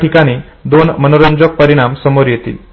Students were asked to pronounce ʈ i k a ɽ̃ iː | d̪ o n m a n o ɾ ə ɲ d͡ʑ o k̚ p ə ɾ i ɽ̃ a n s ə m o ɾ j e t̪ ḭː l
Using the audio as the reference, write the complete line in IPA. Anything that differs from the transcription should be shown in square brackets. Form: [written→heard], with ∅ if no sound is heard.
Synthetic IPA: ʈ i k a ɽ̃ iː | d̪ o n m [a→ə] n o ɾ ə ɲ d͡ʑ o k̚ p ə ɾ i ɽ̃ a [n→m] s ə m o ɾ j e t̪ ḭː l